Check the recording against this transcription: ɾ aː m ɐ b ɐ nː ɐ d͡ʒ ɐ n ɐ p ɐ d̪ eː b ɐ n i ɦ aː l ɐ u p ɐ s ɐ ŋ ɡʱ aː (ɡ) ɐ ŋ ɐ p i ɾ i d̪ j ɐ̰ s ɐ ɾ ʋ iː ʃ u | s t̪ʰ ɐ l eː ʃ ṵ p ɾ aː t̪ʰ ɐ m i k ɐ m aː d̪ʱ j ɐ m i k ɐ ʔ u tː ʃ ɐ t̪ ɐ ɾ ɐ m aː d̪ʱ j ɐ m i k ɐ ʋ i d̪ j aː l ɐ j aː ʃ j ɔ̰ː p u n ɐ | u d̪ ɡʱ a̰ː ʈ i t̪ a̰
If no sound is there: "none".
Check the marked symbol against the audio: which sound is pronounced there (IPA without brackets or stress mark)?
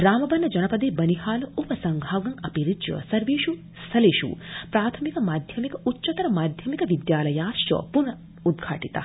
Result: ɡ